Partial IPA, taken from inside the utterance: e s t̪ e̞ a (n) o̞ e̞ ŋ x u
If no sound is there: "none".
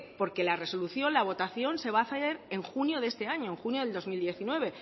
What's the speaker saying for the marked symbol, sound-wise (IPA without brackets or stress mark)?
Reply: ɲ